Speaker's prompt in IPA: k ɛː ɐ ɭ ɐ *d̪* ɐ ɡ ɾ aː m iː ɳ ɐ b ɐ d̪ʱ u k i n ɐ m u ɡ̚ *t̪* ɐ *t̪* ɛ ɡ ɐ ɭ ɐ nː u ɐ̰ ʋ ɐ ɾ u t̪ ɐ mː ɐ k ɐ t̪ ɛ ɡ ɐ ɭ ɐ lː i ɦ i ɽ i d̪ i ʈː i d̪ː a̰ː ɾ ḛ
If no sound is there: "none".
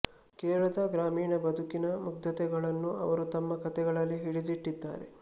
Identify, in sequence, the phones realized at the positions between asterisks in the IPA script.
d̪, d̪, t̪

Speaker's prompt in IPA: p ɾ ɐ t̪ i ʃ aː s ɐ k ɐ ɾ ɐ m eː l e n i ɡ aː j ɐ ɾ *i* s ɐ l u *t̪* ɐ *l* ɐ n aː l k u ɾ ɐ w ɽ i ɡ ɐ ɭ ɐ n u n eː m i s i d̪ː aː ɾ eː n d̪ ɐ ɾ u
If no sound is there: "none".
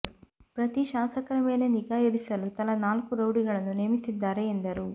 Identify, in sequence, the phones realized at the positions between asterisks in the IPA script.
i, t̪, l

